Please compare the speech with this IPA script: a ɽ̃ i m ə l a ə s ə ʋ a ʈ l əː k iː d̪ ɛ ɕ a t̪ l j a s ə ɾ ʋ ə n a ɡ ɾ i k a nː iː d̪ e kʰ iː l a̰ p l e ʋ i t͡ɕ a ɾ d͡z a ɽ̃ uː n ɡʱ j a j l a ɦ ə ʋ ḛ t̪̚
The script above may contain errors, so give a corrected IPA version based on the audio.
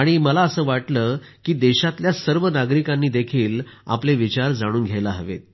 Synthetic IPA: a ɽ̃ i m ə l a ə s əː ʋ a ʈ l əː k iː d̪ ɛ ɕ a t̪ l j a s ə ɾ ʋ ə n a ɡ ɾ i k a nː iː d̪ e kʰ iː l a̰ p l e ʋ i t͡ɕ a ɾ d͡z a ɽ̃ uː n ɡʱ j a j l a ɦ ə ʋ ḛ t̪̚